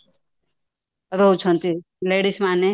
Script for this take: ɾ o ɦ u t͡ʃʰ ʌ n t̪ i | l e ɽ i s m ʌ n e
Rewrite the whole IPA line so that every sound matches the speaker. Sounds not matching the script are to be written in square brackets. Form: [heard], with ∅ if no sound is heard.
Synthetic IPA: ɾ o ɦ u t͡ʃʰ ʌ n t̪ i | l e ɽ i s m [a] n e